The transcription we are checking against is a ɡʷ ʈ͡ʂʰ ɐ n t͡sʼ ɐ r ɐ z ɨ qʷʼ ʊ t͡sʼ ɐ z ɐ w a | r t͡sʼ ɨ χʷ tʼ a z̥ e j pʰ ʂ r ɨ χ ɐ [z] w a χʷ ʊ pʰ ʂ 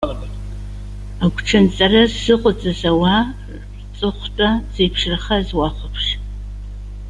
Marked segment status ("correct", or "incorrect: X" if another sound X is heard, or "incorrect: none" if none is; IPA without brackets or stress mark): correct